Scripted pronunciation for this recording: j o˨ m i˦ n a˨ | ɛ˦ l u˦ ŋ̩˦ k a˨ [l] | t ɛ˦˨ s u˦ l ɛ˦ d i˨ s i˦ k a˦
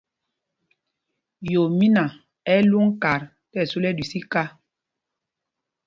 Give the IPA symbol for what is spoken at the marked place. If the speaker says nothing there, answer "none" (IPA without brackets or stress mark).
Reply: ɾ